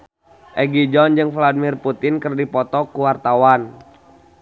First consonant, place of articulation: glottal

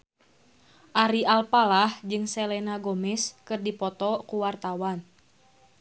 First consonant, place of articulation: glottal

